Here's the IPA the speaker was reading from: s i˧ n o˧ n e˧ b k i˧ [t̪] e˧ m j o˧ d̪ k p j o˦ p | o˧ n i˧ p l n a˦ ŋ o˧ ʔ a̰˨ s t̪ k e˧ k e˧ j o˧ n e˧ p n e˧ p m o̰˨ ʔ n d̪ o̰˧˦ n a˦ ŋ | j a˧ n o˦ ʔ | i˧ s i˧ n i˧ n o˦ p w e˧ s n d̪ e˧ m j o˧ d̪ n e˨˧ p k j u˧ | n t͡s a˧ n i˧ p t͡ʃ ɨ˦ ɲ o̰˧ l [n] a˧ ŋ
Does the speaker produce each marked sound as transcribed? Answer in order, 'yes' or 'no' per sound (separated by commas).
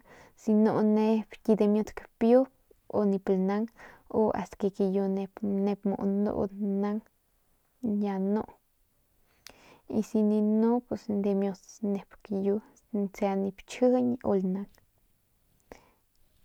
no, yes